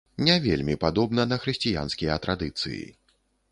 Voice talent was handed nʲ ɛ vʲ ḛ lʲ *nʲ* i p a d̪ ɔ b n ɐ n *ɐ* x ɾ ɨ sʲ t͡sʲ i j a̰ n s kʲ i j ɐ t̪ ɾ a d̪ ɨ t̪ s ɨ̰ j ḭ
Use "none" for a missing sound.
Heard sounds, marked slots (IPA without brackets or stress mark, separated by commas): mʲ, ɐ